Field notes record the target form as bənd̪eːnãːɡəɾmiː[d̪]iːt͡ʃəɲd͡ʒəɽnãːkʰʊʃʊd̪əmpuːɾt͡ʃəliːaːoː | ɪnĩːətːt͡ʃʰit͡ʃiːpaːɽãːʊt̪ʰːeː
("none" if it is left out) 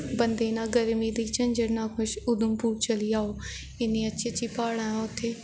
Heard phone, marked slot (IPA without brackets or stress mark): d̪